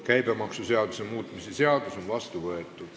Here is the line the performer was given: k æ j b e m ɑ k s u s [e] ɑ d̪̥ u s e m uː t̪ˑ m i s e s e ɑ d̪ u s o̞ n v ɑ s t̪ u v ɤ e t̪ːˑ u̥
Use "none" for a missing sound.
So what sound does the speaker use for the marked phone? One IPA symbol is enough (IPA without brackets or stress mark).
e